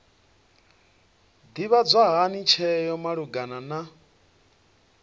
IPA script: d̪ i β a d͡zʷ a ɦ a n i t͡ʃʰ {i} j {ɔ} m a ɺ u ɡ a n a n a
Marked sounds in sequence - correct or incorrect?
incorrect, correct

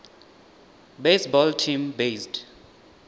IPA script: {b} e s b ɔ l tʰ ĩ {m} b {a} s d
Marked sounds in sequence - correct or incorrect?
correct, correct, incorrect

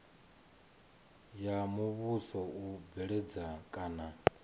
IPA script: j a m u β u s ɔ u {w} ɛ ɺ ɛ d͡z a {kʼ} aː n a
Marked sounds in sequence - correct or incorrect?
incorrect, correct

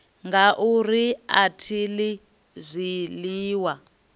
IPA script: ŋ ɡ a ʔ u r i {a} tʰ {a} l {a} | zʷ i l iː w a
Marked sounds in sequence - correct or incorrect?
correct, incorrect, incorrect

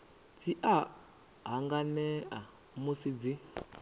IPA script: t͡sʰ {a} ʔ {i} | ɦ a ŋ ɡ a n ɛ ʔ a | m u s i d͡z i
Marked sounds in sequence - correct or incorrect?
incorrect, incorrect

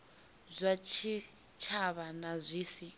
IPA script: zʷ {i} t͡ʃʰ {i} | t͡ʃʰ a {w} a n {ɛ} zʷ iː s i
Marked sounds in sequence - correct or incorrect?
incorrect, correct, incorrect, incorrect

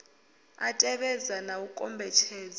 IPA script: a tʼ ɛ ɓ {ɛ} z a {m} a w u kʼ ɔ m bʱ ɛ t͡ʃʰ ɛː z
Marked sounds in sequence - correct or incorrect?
correct, incorrect

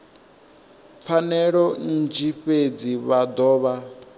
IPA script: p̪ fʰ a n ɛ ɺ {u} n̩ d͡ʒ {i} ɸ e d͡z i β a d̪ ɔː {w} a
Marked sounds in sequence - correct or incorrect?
incorrect, correct, incorrect

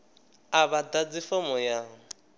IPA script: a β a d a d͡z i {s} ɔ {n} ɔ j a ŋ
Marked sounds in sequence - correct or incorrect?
incorrect, incorrect

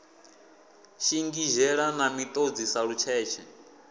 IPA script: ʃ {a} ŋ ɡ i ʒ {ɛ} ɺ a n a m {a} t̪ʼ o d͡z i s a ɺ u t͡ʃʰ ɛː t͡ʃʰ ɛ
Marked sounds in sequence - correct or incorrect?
incorrect, correct, incorrect

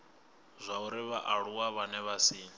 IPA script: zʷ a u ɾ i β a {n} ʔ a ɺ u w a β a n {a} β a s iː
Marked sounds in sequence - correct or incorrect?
incorrect, incorrect

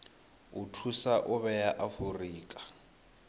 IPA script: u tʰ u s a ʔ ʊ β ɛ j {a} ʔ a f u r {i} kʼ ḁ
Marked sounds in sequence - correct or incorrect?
correct, incorrect

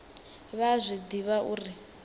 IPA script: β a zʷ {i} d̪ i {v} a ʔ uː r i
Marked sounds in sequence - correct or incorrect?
correct, incorrect

